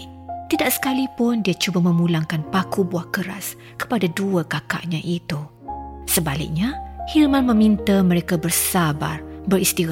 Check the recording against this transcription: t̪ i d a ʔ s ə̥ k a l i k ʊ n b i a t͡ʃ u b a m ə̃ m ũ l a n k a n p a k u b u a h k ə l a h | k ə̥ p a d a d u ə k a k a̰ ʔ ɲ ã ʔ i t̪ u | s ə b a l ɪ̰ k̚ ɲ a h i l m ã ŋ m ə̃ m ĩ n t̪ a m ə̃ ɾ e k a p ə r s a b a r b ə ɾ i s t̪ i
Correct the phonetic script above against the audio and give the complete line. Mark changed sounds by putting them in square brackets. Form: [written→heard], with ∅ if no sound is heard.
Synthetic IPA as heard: t̪ i d a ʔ s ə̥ k a l i [k→p] ʊ n [b→d] i a t͡ʃ u b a m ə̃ m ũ l a [n→ŋ] k a n p a k u b u a h k ə [l→ɾ] a [h→s] | k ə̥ p a d a d u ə k a k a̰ ʔ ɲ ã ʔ i t̪ u | s ə b a l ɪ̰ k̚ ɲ a h i l m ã [ŋ→n] m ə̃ m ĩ n t̪ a m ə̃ ɾ e k a [p→b] ə r s a b a r b ə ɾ i s t̪ i